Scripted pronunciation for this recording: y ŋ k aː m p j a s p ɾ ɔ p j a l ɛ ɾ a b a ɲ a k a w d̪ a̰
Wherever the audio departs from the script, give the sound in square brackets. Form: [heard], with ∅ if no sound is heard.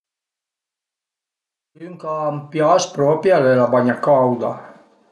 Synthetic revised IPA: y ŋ k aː m p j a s p ɾ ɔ p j a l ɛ [l] a b a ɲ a k a w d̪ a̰